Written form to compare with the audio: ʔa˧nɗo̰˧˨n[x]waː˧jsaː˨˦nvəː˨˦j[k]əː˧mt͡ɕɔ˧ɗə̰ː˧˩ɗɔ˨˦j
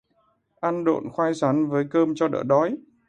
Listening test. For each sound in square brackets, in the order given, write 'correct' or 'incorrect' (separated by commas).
correct, correct